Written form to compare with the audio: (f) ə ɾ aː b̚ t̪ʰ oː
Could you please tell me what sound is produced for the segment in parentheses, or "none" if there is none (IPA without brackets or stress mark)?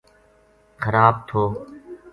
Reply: x